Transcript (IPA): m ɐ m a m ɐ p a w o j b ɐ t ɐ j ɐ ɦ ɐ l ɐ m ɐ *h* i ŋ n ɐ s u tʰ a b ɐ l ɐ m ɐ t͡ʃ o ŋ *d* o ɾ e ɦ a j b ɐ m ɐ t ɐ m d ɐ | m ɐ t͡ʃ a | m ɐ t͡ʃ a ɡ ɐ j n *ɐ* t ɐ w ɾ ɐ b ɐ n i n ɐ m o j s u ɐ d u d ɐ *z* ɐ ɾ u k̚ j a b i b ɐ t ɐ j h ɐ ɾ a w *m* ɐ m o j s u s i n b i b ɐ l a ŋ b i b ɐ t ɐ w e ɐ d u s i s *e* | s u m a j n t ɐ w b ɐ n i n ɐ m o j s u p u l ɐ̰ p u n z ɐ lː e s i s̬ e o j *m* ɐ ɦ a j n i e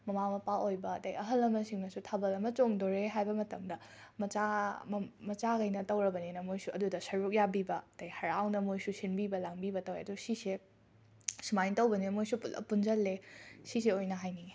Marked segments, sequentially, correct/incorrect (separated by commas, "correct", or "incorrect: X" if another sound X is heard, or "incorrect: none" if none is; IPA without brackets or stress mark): incorrect: s, correct, correct, incorrect: s, incorrect: n, correct, incorrect: n